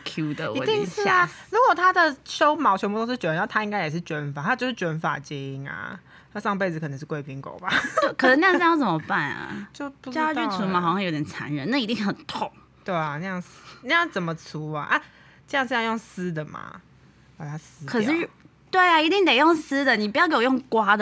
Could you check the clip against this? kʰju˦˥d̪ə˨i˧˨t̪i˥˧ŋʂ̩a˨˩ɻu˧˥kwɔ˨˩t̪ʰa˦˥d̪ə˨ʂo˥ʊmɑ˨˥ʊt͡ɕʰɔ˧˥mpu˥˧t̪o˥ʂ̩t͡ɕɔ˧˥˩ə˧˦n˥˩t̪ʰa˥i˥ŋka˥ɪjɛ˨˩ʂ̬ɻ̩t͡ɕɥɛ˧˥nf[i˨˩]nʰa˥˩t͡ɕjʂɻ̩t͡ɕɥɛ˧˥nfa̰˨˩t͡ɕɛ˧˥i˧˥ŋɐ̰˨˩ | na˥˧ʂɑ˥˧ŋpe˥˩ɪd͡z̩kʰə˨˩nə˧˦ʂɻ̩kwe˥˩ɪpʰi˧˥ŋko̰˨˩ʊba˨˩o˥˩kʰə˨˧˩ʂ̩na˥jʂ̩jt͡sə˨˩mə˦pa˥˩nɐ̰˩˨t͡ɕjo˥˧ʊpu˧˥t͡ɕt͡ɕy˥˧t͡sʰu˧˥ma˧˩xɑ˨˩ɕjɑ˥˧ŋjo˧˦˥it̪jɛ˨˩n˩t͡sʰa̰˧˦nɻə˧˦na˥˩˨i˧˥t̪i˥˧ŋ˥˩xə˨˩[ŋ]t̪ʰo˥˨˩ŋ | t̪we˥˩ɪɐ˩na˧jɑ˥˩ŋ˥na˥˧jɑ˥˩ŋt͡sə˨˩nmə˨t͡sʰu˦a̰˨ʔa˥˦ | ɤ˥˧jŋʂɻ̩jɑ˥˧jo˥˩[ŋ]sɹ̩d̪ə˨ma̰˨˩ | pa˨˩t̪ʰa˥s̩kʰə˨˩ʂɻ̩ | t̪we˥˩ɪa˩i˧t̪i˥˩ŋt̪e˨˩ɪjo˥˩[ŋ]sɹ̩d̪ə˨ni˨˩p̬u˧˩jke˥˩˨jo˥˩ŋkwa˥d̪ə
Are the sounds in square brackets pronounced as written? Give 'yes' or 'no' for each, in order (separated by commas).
no, no, yes, yes